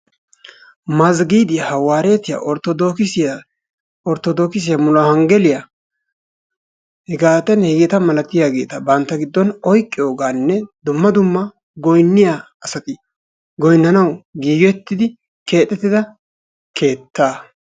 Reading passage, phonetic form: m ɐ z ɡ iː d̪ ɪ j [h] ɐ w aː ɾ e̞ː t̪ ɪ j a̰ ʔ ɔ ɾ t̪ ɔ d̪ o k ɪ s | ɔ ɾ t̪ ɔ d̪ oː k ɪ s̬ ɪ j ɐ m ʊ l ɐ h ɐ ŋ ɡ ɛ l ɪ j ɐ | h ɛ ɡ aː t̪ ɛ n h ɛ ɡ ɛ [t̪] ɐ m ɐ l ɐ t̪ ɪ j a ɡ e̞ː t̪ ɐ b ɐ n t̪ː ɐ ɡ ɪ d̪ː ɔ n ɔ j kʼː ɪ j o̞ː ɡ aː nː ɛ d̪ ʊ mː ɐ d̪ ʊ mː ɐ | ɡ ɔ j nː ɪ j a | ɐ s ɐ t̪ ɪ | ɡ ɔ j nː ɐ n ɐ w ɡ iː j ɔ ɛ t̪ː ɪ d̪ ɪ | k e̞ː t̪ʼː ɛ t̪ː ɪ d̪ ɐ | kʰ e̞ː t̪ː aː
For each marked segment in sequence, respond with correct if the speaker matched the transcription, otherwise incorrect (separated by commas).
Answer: correct, correct